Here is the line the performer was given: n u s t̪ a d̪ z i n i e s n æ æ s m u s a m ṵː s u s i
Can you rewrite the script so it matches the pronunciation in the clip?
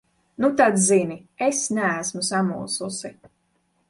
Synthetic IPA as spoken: n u t̪ a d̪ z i n i e s n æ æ s m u s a m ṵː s u s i